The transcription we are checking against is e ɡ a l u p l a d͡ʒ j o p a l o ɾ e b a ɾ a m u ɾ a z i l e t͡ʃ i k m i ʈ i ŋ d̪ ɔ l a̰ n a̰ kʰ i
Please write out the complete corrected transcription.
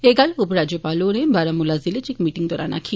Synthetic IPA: e ɡ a l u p ɾ a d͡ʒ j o p a l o ɾ e b a ɾ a m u l a z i l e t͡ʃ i k m i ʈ i ŋ d̪ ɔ ɾ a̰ n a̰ kʰ i